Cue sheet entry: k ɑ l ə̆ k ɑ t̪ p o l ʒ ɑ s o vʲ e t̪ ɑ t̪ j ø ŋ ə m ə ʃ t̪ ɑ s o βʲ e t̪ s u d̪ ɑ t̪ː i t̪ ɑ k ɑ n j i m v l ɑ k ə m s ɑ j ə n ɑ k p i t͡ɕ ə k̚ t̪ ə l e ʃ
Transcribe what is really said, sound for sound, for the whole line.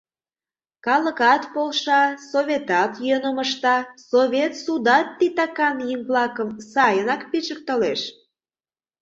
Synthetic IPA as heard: k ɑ l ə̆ k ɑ t̪ p o l ʃ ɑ s o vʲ e t̪ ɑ t̪ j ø n ə m ə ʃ t̪ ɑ s o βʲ e t̪ s u d̪ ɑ t̪ː i t̪ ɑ k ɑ n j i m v l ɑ k ə m s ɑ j ə n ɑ k p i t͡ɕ ə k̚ t̪ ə l e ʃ